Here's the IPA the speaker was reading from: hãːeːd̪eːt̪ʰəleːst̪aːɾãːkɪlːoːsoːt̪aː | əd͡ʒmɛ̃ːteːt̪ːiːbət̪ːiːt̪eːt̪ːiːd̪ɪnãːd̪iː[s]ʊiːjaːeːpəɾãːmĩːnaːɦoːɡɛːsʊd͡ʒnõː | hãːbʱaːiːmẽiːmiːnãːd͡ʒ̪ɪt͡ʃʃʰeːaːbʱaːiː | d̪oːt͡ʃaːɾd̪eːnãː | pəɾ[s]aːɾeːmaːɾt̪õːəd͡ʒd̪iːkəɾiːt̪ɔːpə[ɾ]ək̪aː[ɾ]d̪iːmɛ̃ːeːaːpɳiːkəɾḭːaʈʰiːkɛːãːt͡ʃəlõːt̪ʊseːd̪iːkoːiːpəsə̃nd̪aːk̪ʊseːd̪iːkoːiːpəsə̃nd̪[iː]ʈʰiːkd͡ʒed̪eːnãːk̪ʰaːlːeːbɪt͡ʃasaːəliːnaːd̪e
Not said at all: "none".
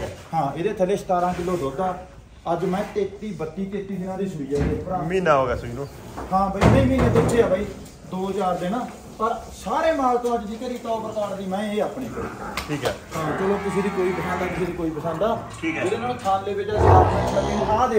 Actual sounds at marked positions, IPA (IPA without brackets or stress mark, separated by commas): s, s, ɾ, ɾ, aː